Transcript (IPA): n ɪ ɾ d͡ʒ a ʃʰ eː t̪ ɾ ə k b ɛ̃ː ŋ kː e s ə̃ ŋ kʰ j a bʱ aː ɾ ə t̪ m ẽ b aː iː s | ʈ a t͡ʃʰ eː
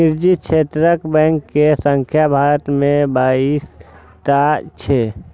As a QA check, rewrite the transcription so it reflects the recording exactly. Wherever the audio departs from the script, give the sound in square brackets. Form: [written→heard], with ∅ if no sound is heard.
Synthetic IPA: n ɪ ɾ d͡ʒ [a→i] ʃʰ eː t̪ ɾ ə k b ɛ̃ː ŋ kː e s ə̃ ŋ kʰ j a bʱ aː ɾ ə t̪ m ẽ b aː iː s | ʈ a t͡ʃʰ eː